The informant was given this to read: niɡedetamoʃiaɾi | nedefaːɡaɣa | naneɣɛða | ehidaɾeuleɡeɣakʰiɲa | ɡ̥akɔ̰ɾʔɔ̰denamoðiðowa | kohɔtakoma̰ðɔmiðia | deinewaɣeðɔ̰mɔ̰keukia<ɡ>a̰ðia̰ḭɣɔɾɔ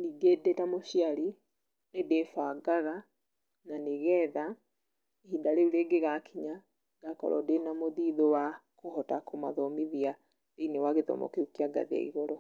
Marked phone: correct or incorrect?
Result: correct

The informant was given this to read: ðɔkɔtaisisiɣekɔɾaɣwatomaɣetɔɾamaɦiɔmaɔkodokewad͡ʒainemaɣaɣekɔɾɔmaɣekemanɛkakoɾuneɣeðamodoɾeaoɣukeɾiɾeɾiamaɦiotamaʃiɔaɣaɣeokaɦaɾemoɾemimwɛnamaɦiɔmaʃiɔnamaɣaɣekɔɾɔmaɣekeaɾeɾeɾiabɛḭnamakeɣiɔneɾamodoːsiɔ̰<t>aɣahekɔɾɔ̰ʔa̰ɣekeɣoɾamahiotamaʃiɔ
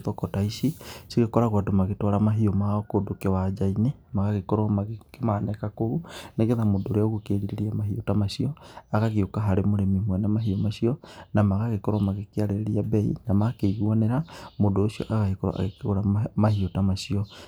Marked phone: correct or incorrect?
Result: incorrect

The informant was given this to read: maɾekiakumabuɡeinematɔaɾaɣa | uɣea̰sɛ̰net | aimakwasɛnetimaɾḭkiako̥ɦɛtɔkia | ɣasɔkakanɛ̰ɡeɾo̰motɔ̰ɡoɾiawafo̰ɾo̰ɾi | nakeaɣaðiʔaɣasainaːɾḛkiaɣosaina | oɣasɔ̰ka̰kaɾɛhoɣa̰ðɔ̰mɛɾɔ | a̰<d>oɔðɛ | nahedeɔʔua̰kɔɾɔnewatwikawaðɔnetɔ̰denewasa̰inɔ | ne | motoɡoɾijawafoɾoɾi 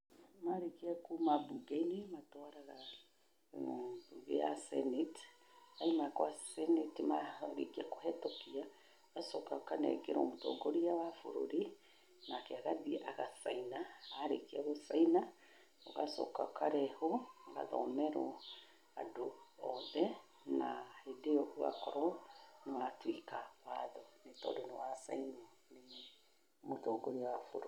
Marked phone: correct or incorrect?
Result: correct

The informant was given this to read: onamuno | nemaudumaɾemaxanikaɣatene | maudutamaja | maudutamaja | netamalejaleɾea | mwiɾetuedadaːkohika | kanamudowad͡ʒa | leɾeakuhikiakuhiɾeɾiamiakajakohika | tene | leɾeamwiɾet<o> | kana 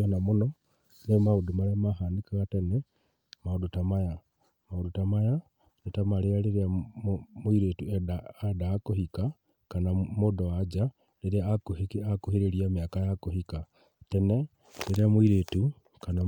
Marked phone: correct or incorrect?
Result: incorrect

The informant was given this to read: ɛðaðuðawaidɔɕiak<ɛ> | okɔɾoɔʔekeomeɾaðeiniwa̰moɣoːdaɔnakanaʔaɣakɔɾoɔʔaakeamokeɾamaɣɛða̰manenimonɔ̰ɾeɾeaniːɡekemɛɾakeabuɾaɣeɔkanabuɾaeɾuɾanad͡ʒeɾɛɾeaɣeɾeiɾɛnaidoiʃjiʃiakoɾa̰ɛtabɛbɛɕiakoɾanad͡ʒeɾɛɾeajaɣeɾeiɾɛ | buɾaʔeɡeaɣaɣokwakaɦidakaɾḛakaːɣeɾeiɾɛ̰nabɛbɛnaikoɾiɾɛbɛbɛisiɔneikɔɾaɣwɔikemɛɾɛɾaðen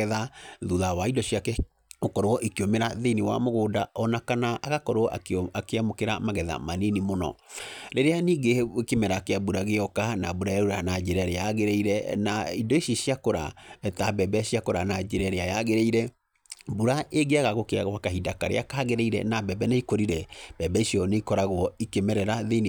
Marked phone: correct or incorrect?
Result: correct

